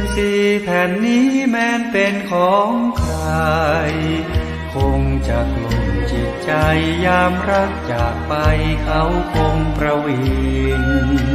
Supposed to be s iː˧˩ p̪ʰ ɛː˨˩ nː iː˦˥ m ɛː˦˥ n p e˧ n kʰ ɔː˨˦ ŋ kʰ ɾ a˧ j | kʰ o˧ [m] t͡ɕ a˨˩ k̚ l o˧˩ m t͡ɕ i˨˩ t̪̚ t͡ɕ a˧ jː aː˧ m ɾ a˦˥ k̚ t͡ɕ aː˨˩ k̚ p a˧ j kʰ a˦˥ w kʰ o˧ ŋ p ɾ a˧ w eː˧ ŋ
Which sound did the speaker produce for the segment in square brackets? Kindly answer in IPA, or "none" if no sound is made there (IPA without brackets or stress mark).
ŋ